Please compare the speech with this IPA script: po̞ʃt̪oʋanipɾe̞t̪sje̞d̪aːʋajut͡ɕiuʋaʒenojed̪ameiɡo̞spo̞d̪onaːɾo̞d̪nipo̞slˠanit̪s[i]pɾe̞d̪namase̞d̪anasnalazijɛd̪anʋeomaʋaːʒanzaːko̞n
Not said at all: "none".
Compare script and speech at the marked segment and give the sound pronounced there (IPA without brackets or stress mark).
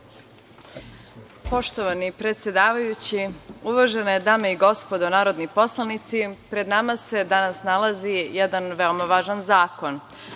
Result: i